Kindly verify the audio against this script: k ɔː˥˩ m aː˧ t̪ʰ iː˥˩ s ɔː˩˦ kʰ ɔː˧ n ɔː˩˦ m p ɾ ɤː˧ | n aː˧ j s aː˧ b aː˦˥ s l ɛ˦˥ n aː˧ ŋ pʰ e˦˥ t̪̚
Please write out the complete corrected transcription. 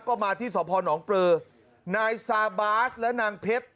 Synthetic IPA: k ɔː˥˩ m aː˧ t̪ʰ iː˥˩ s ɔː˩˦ pʰ ɔː˧ n ɔː˩˦ ŋ p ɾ ɤː˧ | n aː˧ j s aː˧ b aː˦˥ s l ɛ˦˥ n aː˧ ŋ pʰ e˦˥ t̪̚